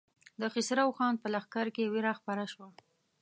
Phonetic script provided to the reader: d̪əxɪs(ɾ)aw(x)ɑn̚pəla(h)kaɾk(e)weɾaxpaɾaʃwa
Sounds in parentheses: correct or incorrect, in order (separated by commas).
correct, correct, incorrect, correct